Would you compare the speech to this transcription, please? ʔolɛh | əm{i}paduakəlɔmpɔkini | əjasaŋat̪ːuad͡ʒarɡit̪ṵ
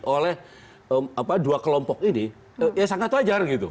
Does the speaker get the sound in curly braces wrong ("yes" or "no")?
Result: yes